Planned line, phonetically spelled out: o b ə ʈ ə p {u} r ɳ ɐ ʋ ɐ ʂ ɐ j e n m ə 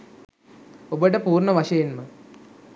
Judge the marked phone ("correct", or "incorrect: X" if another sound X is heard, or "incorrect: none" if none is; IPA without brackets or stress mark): incorrect: uː